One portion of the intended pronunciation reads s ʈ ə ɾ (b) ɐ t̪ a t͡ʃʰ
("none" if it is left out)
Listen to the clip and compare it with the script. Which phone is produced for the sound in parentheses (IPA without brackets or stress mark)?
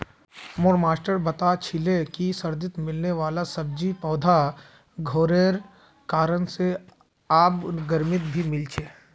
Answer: b